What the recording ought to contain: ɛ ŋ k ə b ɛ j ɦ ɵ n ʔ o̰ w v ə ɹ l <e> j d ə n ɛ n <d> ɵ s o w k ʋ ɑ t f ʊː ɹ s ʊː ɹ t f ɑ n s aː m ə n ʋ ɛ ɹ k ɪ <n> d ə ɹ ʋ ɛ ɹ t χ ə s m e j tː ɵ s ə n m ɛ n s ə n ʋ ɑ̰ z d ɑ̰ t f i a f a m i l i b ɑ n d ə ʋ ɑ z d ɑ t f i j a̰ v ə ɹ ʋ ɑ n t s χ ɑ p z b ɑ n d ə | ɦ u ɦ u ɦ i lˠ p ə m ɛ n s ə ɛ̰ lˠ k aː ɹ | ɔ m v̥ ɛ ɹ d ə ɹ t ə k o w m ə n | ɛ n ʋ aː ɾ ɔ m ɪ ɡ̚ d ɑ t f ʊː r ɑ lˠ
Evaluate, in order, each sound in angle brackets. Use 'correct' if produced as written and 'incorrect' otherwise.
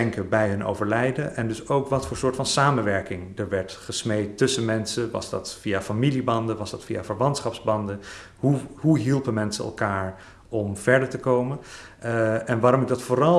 incorrect, correct, incorrect

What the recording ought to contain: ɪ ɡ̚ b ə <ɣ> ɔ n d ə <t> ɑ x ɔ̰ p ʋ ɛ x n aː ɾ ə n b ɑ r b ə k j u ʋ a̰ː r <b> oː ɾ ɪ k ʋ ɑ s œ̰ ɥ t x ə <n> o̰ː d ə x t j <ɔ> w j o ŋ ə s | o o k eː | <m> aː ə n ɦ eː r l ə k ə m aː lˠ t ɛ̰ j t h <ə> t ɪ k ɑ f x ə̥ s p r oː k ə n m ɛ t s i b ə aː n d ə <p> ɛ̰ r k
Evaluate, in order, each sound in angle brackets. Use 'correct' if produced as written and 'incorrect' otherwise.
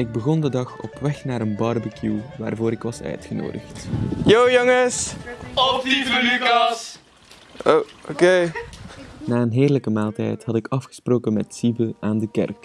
correct, incorrect, incorrect, correct, incorrect, incorrect, incorrect, incorrect

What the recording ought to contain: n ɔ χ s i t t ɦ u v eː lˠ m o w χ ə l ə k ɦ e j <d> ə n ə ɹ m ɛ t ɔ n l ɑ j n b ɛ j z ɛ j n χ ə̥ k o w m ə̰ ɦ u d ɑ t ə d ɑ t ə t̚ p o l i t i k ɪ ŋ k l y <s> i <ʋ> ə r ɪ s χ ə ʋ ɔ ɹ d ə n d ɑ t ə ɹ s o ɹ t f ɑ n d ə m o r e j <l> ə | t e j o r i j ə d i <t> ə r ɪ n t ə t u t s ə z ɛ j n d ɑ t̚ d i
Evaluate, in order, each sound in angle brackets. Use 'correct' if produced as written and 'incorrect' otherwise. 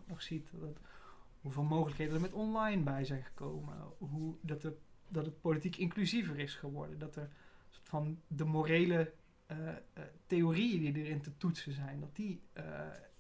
correct, incorrect, incorrect, correct, incorrect

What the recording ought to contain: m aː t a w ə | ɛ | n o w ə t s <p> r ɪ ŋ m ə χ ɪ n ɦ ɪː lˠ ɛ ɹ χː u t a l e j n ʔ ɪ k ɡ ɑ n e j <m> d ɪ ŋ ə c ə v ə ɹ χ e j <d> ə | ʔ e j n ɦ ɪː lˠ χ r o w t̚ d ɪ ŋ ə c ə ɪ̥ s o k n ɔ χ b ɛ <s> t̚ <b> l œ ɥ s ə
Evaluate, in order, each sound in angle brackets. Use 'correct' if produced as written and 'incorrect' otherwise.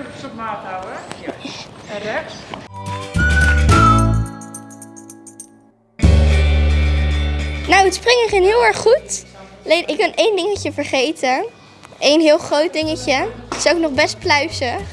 correct, incorrect, incorrect, correct, incorrect

